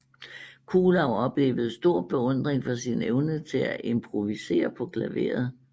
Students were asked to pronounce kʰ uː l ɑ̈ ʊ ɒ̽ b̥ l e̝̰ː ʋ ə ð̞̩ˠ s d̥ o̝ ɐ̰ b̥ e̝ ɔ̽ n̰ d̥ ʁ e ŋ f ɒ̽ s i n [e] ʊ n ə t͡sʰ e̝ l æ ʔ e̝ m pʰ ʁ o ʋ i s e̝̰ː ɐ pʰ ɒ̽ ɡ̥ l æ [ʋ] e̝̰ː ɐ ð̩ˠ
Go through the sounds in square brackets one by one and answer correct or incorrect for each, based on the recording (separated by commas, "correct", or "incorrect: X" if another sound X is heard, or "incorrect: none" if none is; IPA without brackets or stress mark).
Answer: correct, correct